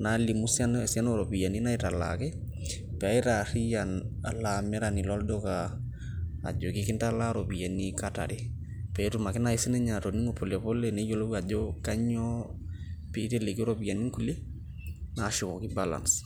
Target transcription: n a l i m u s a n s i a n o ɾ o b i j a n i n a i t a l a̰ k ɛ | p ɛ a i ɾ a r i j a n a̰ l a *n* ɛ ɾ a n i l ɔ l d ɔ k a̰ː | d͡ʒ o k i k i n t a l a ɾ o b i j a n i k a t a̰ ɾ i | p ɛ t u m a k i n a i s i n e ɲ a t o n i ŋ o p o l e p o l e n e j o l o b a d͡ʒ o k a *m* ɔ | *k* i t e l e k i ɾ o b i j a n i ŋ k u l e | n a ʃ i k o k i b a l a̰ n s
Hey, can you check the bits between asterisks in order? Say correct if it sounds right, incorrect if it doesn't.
incorrect, incorrect, incorrect

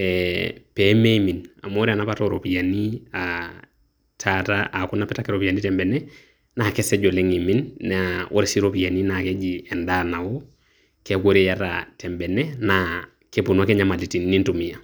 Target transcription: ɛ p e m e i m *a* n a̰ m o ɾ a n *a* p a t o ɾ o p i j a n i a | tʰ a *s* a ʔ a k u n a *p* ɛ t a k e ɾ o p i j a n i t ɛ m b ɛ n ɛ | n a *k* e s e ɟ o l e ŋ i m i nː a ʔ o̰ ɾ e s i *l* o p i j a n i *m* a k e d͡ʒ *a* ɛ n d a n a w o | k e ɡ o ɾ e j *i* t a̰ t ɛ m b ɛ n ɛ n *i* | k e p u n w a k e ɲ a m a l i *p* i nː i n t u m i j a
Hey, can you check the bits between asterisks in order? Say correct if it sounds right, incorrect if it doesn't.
incorrect, correct, incorrect, correct, correct, incorrect, incorrect, incorrect, incorrect, incorrect, incorrect

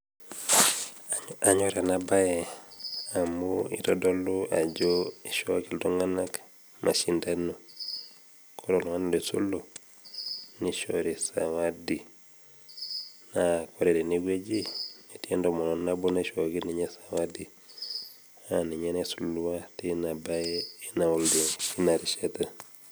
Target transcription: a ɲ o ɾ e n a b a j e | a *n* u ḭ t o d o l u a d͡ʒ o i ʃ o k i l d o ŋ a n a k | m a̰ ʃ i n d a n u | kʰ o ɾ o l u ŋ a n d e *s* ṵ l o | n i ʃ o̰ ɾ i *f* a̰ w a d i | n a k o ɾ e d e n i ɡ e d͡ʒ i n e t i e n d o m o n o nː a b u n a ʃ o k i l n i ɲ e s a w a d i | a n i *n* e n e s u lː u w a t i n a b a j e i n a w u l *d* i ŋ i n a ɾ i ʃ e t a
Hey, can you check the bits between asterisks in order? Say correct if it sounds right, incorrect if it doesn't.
incorrect, correct, incorrect, incorrect, correct

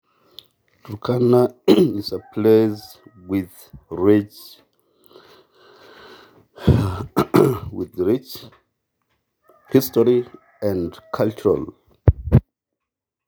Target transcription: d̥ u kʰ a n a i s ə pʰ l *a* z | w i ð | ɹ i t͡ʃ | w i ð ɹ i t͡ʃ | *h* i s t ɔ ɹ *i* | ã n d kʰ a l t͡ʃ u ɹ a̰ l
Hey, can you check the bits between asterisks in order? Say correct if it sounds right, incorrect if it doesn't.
incorrect, correct, correct

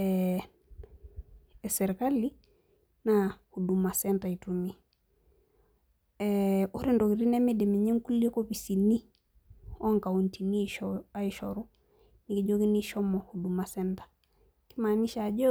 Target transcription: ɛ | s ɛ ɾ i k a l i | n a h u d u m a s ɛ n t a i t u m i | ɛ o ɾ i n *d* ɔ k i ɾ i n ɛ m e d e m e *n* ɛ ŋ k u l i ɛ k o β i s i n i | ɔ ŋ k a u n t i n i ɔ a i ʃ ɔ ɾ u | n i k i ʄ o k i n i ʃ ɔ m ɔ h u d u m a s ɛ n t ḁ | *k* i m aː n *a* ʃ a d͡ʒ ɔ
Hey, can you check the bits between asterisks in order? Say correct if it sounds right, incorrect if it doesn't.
correct, incorrect, correct, incorrect

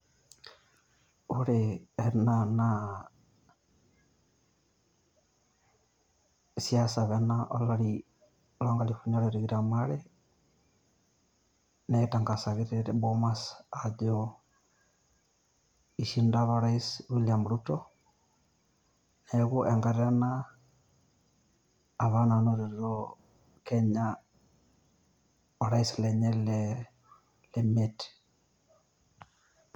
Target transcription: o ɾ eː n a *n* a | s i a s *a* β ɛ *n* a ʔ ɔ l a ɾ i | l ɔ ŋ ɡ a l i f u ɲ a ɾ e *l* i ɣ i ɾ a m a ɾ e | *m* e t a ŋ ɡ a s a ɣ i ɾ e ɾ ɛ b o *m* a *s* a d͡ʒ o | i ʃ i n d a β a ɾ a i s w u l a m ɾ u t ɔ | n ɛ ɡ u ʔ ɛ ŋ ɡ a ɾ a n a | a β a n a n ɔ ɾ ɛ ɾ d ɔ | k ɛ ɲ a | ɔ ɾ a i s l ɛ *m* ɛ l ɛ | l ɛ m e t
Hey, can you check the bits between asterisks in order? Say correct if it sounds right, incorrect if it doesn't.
correct, correct, correct, incorrect, incorrect, correct, correct, incorrect

